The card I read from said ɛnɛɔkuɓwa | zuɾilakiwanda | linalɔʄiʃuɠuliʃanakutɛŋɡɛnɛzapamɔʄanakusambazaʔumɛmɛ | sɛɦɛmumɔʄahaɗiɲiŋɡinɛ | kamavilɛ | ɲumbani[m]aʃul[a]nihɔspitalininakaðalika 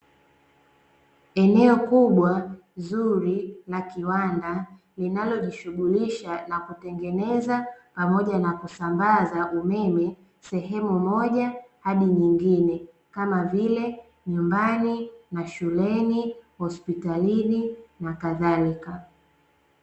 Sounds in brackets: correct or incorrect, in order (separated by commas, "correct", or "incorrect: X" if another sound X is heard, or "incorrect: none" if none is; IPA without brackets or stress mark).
incorrect: n, incorrect: ɛ